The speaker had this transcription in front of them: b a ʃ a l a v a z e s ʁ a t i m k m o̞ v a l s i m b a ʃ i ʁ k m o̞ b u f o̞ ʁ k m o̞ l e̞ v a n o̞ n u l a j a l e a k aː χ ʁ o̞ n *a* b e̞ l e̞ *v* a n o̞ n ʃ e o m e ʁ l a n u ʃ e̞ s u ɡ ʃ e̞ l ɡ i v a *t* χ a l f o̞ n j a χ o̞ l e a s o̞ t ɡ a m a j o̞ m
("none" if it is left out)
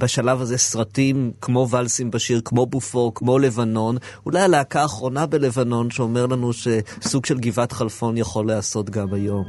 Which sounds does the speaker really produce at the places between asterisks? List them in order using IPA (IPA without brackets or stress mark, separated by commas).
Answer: a, v, t